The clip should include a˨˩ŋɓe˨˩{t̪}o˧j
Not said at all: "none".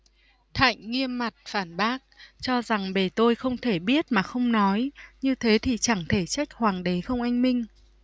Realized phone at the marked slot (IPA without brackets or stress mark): t̪